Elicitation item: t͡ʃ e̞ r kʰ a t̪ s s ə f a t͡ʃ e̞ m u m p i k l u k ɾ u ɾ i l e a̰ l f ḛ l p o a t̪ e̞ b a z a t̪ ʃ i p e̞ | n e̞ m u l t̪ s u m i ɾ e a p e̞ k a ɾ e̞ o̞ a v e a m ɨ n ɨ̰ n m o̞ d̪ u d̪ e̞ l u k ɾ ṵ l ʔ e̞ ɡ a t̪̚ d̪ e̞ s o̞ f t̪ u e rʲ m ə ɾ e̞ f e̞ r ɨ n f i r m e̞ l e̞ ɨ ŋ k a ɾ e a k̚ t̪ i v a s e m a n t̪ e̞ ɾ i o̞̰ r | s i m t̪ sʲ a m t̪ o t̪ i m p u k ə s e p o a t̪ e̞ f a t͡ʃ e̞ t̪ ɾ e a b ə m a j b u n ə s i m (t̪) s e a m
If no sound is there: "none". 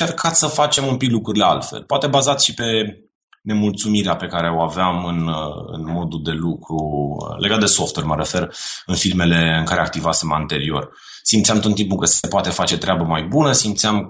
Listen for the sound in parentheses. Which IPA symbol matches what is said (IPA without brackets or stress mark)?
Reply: t̪